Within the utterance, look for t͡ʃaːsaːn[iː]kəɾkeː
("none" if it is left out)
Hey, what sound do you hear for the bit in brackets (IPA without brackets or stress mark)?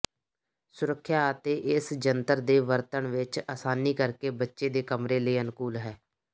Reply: iː